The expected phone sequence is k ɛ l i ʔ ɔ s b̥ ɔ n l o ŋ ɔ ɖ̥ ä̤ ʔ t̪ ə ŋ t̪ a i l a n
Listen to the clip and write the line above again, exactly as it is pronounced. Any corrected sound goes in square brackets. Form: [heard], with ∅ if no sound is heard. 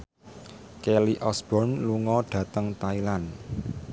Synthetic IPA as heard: k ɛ l i ʔ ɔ s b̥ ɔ n l [u] ŋ ɔ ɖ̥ ä̤ [∅] t̪ ə ŋ t̪ a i l a n

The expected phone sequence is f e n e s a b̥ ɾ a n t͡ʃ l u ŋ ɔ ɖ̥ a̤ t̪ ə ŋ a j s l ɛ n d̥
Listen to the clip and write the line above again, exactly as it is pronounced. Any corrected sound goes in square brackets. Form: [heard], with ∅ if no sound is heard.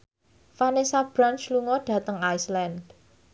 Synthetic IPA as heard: f [a] n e s a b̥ ɾ a n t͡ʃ l u ŋ ɔ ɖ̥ a̤ t̪ ə ŋ a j s l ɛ n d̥

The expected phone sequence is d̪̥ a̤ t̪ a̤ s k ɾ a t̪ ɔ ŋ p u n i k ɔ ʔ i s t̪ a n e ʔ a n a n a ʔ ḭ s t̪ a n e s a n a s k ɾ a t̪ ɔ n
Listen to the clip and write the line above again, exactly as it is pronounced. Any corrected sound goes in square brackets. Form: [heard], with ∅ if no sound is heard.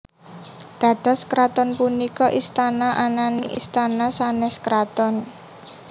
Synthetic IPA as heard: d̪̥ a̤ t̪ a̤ s k ɾ a t̪ ɔ [n] p u n i k ɔ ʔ i s t̪ a n [a] ʔ a n a n [i] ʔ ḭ s t̪ a n [a] s a n [ɛ] s k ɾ a t̪ ɔ n

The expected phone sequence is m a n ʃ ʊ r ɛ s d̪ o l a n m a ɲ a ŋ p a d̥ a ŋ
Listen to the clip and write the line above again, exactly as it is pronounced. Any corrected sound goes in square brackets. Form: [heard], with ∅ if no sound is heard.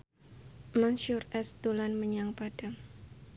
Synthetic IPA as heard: m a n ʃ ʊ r ɛ s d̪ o l a n m [ə] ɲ a ŋ p a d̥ a ŋ

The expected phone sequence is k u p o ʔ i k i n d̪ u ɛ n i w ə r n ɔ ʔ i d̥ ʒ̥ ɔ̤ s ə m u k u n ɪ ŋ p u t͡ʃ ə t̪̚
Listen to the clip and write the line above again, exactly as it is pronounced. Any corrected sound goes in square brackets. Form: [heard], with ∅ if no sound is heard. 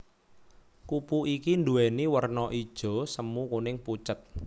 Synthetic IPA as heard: k u p [u] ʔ i k i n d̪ u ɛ n i w ə r n ɔ ʔ i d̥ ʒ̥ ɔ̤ s ə m u k u n ɪ ŋ p u t͡ʃ ə t̪̚

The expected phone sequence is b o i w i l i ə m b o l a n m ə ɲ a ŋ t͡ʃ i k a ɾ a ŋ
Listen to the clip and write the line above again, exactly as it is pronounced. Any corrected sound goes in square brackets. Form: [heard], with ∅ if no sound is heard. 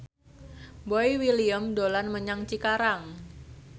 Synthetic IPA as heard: b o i w i l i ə m [d] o l a n m ə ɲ a ŋ t͡ʃ i k a ɾ a ŋ

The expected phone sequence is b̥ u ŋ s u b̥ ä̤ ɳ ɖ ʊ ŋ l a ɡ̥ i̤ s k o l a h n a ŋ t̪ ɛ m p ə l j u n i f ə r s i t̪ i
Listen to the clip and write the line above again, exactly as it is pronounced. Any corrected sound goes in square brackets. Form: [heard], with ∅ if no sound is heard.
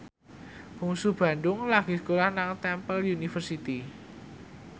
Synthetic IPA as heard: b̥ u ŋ s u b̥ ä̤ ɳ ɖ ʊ ŋ l a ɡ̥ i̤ s k o l a h n a ŋ t̪ ɛ m p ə l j u n i f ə r s i t̪ i

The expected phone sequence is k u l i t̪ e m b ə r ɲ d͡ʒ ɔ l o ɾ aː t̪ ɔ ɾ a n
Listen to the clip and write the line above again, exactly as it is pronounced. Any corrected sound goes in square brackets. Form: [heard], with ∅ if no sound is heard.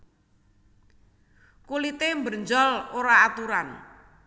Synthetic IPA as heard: k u l i t̪ e m b ə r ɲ d͡ʒ ɔ l o ɾ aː t̪ [u] ɾ a n

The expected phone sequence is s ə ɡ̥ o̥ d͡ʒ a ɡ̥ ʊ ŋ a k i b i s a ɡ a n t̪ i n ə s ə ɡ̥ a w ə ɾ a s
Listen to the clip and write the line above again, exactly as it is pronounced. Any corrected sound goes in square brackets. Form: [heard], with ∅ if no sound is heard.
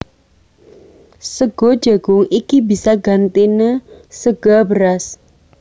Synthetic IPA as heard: s ə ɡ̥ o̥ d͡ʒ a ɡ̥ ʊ ŋ [i] k i b i s a ɡ a n t̪ i n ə s ə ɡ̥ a [b] ə ɾ a s

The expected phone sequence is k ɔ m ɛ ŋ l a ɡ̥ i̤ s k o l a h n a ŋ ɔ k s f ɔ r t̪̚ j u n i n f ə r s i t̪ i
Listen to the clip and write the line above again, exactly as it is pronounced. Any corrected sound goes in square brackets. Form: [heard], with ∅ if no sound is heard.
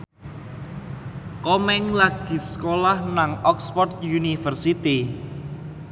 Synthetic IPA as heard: k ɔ m ɛ ŋ l a ɡ̥ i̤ s k o l a h n a ŋ ɔ k s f ɔ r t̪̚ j u n i [∅] f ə r s i t̪ i

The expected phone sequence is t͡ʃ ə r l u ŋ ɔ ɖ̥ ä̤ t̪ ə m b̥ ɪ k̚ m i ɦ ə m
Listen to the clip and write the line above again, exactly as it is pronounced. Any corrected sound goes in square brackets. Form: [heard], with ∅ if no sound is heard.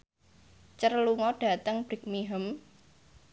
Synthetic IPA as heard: t͡ʃ ə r l u ŋ ɔ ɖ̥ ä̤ t̪ ə [ŋ] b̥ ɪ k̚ m i ɦ ə m

